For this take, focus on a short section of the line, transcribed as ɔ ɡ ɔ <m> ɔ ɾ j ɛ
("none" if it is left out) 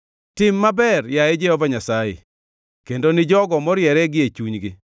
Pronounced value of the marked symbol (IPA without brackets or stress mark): m